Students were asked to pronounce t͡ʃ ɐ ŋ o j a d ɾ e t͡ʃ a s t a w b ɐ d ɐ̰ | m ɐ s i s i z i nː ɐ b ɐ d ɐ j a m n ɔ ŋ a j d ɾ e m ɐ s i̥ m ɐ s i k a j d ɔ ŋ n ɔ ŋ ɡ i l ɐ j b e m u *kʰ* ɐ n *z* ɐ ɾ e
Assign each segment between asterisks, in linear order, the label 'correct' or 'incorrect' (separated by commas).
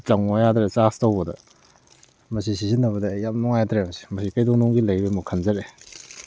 correct, correct